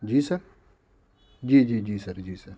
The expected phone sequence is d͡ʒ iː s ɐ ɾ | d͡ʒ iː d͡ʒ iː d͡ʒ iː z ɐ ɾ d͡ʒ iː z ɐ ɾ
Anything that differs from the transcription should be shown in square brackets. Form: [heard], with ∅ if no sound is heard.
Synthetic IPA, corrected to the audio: d͡ʒ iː s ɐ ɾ | d͡ʒ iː d͡ʒ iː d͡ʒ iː [s] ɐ ɾ d͡ʒ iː [s] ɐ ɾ